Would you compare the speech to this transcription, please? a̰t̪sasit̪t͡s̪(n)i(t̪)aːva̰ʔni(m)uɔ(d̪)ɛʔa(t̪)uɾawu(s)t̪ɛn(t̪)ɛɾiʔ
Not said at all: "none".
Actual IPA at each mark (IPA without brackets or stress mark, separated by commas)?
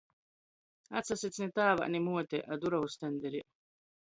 n, t̪, m, t̪, d̪, s, d̪